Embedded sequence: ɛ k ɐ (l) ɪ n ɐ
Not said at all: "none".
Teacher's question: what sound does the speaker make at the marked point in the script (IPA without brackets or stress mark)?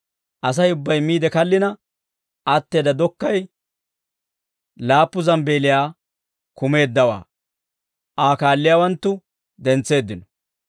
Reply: lː